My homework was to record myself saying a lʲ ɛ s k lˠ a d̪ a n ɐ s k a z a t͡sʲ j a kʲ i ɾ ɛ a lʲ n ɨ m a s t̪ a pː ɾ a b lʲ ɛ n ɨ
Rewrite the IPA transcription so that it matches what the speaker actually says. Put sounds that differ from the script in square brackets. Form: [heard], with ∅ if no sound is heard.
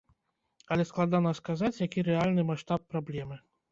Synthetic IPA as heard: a lʲ ɛ s k lˠ a d̪ a n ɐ s k a z a t͡sʲ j a kʲ i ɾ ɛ a lʲ n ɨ m a [ʂ] t̪ a pː ɾ a b lʲ ɛ [m] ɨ